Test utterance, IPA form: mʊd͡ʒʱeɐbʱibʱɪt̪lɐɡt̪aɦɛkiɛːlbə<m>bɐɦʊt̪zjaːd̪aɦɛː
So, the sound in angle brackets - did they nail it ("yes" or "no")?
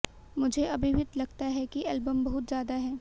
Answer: yes